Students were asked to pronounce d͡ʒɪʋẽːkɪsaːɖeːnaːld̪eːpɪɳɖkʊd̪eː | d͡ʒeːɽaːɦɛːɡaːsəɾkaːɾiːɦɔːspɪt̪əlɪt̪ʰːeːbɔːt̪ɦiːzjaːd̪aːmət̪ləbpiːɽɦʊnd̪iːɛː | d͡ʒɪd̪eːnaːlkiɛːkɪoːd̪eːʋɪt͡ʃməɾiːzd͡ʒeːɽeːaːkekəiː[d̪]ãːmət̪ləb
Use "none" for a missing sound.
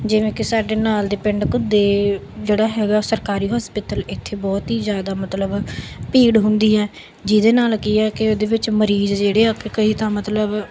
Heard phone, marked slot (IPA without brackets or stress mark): t̪